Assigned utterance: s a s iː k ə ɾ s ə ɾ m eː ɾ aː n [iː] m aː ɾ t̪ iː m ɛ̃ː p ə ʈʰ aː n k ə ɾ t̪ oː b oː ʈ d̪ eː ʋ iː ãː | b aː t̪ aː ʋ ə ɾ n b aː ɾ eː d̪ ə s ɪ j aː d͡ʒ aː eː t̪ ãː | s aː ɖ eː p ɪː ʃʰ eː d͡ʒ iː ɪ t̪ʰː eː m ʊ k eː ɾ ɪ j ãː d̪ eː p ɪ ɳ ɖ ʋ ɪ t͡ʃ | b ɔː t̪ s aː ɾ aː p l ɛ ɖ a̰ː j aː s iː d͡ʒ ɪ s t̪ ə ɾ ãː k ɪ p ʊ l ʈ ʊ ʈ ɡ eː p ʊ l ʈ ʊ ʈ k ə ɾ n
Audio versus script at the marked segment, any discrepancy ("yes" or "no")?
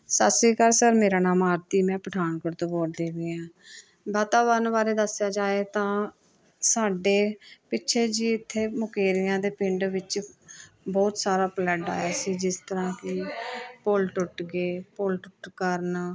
yes